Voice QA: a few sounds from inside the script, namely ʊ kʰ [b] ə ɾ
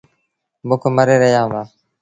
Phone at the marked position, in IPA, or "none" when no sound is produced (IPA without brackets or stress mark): m